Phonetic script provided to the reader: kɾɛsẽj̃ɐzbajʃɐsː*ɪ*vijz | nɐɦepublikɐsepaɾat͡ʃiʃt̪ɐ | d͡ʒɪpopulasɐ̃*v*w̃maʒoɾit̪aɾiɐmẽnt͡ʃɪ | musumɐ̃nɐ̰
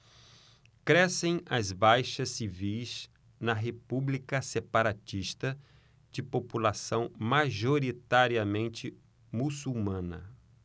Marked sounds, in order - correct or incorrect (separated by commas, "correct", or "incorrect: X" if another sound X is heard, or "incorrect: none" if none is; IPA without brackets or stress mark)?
incorrect: i, incorrect: none